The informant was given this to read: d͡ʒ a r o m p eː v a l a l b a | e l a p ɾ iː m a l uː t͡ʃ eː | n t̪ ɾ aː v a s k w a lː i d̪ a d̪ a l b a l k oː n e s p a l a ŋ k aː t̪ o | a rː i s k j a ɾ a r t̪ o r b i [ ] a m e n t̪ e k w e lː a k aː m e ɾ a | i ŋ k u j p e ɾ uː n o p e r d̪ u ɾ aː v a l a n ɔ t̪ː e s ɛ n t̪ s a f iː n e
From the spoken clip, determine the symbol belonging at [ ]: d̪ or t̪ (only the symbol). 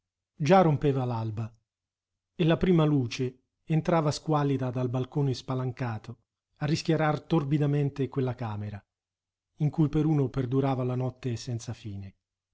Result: d̪